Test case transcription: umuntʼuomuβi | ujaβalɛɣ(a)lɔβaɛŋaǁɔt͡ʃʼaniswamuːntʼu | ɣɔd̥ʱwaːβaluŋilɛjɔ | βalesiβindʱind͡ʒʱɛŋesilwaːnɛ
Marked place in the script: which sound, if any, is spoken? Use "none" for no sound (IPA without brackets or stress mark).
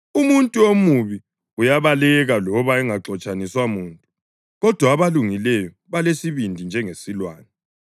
a